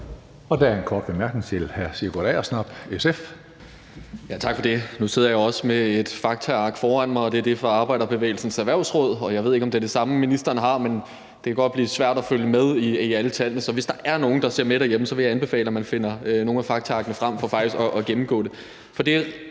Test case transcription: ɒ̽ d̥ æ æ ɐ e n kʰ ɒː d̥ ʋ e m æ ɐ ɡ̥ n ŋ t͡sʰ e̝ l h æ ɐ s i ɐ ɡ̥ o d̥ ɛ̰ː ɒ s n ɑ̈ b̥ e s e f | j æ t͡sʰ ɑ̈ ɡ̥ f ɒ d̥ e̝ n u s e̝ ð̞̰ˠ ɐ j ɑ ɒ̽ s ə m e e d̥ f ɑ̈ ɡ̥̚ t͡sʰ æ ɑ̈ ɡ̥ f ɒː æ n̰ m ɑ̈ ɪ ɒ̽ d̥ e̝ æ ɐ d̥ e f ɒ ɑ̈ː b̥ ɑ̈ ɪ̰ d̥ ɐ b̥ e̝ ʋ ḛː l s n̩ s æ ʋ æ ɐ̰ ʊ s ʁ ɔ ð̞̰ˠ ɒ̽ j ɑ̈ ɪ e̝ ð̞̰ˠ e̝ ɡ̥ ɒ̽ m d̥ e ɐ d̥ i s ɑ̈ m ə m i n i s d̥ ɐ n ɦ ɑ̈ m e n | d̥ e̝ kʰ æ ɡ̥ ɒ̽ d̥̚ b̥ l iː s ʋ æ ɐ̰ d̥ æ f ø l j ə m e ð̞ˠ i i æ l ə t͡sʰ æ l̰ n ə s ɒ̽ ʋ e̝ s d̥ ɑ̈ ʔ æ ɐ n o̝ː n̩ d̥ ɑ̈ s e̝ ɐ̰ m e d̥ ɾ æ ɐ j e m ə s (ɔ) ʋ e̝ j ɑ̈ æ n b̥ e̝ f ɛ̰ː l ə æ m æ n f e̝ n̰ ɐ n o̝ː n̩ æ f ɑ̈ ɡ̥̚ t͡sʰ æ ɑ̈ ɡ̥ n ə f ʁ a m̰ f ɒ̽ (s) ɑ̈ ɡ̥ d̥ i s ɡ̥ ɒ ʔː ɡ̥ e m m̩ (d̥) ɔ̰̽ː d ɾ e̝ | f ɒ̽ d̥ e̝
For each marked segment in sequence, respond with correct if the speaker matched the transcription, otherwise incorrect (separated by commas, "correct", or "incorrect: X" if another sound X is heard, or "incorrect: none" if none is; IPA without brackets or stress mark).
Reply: incorrect: ɒ, incorrect: f, incorrect: ɡ̥